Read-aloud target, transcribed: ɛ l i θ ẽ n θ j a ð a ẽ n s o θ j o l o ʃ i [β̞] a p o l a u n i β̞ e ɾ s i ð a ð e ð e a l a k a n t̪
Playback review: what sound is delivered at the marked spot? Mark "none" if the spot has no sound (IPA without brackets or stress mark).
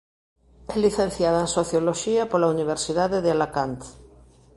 none